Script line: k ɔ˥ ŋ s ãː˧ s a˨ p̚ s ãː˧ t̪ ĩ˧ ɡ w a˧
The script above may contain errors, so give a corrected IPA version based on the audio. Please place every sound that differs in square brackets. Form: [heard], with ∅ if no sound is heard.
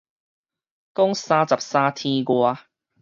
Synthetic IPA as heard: k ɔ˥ ŋ s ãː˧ [t͡s] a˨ p̚ s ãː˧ [t̪ʰ] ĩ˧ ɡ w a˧